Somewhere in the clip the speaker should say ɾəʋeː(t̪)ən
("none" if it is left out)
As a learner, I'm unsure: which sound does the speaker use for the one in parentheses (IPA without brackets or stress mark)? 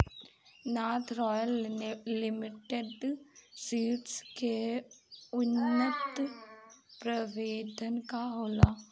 d̪